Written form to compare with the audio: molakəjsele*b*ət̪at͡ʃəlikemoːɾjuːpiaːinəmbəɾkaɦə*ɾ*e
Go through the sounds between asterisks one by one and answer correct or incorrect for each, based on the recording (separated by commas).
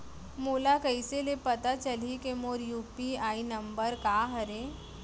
incorrect, correct